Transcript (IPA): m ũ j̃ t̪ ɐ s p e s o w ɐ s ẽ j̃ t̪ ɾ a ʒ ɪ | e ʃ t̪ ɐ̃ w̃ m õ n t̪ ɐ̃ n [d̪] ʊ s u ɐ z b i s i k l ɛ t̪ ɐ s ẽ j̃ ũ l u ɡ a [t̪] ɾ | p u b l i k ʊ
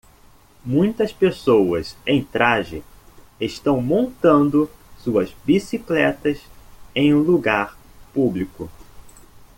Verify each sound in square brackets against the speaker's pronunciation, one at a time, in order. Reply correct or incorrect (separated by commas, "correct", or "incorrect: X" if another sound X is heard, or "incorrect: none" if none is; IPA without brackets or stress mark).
correct, incorrect: none